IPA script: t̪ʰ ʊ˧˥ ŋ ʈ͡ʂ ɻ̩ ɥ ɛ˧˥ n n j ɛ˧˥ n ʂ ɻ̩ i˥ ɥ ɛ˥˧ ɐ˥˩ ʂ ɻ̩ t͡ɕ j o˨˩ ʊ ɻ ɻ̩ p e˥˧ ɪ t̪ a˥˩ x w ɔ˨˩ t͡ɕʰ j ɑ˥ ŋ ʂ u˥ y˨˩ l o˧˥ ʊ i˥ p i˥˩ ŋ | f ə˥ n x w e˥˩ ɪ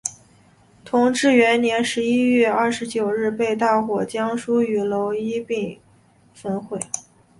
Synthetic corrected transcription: t̪ʰ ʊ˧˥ ŋ ʈ͡ʂ ɻ̩ ɥ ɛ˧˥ n n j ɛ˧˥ n ʂ ɻ̩ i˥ ɥ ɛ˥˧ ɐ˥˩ ʂ ɻ̩ t͡ɕ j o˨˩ ʊ ɻ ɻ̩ p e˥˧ ɪ t̪ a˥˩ x w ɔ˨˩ t͡ɕ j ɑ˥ ŋ ʂ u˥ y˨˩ l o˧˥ ʊ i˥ p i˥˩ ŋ | f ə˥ n x w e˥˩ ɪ